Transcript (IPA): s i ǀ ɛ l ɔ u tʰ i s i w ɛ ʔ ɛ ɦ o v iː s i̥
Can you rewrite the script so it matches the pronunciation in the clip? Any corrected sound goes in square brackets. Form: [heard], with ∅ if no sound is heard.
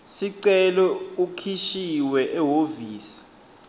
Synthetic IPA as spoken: s i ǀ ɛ l ɔ u [kʰ] i [ʃ] i w ɛ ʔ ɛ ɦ o v iː s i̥